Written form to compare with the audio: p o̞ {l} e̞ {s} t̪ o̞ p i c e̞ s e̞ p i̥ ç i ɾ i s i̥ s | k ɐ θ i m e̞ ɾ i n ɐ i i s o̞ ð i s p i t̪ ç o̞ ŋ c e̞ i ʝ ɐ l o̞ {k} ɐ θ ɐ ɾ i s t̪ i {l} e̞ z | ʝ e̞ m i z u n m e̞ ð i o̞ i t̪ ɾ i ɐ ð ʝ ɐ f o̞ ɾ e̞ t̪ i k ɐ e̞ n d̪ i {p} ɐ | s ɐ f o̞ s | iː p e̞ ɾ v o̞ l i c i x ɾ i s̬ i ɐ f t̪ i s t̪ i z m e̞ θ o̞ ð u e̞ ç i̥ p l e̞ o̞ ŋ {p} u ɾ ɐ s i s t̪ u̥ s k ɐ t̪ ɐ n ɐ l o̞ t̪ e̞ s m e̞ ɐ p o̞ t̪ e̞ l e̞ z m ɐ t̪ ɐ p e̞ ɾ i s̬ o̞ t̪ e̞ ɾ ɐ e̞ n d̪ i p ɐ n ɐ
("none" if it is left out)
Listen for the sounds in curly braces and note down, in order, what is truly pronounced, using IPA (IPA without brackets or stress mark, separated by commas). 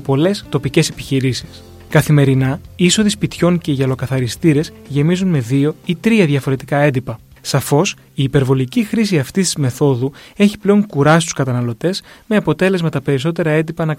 l, s, k, ɾ, p, k